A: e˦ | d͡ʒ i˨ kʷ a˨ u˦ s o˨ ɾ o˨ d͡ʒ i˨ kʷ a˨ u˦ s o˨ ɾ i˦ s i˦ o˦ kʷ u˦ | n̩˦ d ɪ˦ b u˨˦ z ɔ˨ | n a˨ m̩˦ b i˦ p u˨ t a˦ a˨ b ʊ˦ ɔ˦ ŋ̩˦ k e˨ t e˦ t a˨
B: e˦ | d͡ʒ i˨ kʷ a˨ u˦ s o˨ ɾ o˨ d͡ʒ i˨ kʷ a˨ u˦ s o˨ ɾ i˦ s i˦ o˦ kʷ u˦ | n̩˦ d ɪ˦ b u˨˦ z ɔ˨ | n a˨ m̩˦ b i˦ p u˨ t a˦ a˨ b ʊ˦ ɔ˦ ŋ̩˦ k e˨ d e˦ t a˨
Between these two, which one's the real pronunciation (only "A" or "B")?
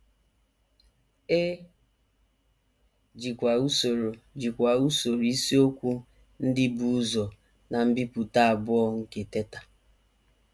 A